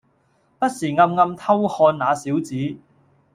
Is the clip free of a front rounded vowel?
yes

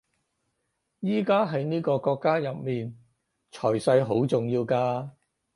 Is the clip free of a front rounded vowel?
yes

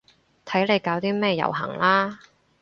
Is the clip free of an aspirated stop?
no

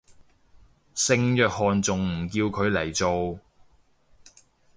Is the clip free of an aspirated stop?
no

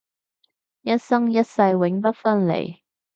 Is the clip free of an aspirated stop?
yes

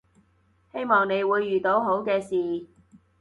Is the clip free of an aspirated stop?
yes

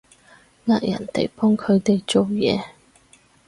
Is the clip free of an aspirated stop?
no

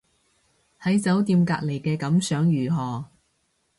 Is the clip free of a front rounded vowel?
no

